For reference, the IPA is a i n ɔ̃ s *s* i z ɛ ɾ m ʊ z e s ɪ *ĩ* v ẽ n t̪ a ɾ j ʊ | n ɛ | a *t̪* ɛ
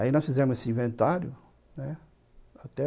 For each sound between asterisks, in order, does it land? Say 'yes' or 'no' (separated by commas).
no, yes, yes